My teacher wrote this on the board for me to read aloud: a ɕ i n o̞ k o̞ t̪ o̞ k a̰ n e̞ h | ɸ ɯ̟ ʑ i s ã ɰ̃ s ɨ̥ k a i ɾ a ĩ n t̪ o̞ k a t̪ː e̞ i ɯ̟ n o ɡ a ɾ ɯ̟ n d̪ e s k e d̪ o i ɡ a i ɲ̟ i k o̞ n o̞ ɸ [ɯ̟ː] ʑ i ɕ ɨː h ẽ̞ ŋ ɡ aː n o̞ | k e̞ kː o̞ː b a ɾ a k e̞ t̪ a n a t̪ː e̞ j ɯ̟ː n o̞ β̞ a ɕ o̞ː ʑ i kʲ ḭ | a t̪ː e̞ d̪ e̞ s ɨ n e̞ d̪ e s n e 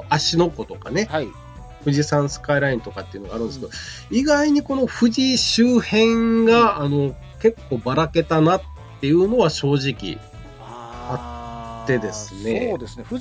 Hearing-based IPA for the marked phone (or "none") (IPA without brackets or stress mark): ɯ̟